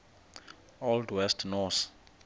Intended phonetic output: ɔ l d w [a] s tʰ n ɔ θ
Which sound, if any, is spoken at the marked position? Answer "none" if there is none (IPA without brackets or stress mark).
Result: ɛ